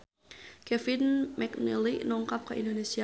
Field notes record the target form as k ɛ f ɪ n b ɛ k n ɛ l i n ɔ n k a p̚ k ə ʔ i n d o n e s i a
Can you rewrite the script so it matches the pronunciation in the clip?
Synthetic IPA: k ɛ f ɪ n m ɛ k n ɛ l i n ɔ ŋ k a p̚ k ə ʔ i n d o n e s i a